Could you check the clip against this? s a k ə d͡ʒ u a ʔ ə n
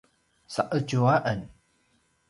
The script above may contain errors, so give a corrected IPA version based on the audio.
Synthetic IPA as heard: s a ʔ ə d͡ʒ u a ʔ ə n